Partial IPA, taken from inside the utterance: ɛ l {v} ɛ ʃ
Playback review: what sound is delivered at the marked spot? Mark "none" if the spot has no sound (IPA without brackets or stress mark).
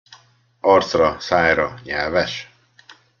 v